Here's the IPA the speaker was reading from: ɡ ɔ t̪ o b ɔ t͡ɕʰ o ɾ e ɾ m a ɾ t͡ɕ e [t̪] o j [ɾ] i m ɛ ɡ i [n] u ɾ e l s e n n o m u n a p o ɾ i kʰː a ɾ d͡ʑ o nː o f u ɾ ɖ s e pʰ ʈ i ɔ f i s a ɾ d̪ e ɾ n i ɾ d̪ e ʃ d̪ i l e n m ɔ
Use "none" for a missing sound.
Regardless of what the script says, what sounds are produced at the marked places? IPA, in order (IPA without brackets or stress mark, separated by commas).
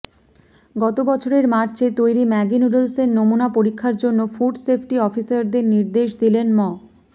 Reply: t̪, ɾ, n